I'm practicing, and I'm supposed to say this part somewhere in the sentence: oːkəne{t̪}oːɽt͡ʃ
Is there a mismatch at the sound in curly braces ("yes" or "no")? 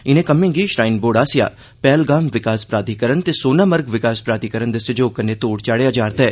no